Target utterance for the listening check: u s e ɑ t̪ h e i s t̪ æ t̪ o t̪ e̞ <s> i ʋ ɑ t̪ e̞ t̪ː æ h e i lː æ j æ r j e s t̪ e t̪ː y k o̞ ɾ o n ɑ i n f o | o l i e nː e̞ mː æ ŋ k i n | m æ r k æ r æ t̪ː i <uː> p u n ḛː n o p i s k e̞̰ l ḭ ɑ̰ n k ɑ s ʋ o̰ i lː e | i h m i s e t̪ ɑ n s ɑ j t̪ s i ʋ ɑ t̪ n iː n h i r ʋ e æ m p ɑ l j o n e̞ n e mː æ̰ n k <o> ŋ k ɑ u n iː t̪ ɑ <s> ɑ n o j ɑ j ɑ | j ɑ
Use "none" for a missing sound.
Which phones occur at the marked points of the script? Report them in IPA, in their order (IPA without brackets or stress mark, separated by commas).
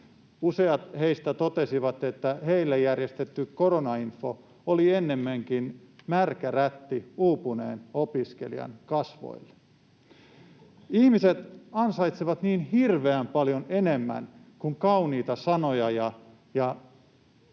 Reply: s, uː, u, s